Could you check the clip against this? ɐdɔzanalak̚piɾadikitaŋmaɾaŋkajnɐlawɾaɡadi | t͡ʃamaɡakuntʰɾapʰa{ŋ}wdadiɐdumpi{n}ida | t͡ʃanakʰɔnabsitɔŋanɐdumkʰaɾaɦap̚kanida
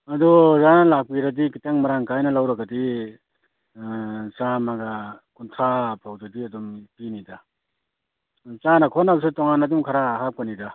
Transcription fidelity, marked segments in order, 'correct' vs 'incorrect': incorrect: none, correct

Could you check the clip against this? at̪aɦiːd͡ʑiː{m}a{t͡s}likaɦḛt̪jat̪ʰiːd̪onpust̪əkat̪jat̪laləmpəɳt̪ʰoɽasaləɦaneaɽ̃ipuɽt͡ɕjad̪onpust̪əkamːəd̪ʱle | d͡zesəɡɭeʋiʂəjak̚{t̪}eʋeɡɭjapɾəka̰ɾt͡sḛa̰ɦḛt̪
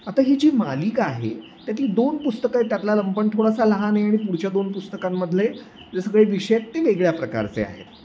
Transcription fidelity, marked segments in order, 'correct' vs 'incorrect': correct, incorrect: none, correct

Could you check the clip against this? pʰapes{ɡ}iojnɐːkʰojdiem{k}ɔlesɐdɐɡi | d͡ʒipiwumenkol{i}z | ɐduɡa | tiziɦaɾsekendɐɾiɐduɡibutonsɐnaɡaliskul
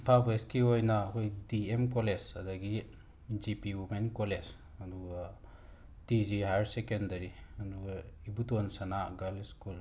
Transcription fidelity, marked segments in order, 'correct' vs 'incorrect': incorrect: k, correct, incorrect: e

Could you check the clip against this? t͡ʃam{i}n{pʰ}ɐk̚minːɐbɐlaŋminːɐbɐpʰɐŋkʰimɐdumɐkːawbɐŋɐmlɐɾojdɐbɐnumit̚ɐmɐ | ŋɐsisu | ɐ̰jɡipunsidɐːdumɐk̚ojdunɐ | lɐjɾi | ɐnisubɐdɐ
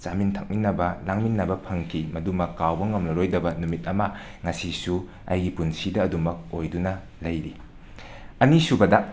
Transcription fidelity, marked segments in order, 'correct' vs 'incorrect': correct, incorrect: tʰ

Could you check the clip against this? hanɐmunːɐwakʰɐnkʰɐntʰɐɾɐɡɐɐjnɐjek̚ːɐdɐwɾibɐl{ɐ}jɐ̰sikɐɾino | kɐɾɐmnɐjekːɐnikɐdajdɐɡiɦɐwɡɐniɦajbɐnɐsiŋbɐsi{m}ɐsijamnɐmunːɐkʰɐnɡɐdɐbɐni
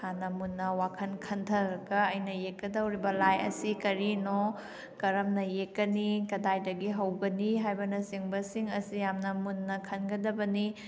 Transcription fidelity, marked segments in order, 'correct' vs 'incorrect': incorrect: a, incorrect: ŋ

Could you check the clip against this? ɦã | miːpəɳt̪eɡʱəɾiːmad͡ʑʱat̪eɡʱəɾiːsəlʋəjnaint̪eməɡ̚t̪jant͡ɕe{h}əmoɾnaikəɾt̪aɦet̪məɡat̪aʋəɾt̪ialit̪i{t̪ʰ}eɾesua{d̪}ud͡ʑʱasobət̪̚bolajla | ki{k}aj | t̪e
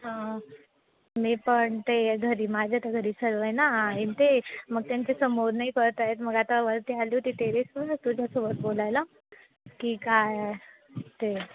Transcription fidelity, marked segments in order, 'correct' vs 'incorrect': incorrect: s, incorrect: t̪, incorrect: t̪, correct

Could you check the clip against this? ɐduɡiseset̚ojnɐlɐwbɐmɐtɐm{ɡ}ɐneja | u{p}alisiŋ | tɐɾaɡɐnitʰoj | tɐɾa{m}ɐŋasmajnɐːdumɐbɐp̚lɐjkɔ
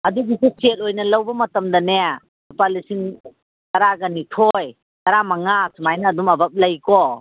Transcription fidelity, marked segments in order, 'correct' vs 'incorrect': incorrect: d, correct, correct

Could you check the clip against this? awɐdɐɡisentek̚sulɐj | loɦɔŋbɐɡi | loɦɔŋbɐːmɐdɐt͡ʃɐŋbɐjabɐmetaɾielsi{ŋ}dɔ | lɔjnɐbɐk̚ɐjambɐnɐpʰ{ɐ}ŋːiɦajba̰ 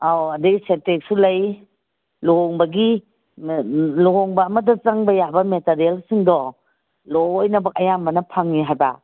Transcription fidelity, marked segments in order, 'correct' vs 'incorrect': correct, incorrect: a

